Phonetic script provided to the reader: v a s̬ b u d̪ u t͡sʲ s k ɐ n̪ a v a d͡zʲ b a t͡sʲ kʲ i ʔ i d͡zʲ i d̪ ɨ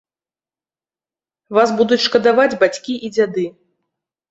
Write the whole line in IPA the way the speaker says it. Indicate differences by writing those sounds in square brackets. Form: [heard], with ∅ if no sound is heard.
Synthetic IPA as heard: v a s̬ b u d̪ u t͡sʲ [ʂ] k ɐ [d̪] a v a d͡zʲ b a t͡sʲ kʲ i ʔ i d͡zʲ [a] d̪ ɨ